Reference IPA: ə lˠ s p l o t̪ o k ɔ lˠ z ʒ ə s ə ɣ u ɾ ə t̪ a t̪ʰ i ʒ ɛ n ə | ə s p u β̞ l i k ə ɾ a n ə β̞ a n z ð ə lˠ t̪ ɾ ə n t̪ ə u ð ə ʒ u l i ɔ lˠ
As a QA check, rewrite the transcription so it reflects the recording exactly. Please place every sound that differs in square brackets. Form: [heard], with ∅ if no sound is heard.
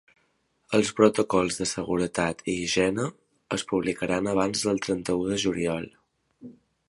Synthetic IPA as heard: ə lˠ s p [ɾ] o t̪ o k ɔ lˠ z [ð] ə s ə ɣ u ɾ ə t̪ a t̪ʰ i ʒ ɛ n ə | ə s p u β̞ l i k ə ɾ a n ə β̞ a n z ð ə lˠ t̪ ɾ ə n t̪ ə u ð ə ʒ u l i ɔ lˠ